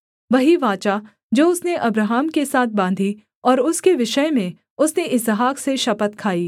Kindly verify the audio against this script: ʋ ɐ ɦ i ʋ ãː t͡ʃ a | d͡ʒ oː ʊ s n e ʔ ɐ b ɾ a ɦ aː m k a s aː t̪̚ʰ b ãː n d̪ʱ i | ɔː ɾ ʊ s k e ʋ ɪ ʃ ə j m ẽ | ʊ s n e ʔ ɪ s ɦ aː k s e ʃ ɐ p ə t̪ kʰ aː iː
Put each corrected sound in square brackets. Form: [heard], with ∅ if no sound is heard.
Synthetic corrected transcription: ʋ ɐ ɦ i ʋ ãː t͡ʃ a | d͡ʒ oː ʊ s n e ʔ ɐ b ɾ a ɦ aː m k [e] s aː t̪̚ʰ b ãː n d̪ʱ i | ɔː ɾ ʊ s k e ʋ ɪ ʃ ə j m ẽ | ʊ s n e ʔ ɪ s ɦ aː k s e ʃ ɐ p ə t̪ kʰ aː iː